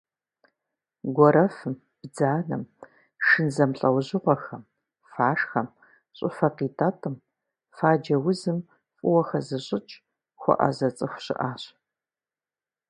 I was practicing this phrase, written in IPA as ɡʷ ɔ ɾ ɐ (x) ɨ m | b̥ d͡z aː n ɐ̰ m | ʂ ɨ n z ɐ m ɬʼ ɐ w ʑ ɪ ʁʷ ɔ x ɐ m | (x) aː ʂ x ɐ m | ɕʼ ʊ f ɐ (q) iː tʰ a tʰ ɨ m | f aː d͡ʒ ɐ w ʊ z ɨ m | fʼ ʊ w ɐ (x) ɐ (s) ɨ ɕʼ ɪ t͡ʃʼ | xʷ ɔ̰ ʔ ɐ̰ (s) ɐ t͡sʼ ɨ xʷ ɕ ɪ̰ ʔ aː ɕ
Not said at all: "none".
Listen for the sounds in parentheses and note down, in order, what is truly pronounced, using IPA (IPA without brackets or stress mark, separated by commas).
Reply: f, f, q, x, z, z